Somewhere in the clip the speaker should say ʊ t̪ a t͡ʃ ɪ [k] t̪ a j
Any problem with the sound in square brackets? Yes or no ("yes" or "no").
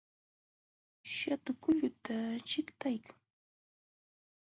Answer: no